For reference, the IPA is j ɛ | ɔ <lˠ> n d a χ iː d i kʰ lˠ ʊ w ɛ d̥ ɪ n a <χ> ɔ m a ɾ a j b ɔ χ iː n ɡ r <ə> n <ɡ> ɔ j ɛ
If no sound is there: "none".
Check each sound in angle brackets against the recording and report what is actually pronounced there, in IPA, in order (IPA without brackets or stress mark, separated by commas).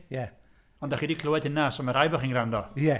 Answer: none, s, a, d